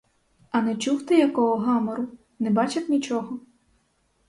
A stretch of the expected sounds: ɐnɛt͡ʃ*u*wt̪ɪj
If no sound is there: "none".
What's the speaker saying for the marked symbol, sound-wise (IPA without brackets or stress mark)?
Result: u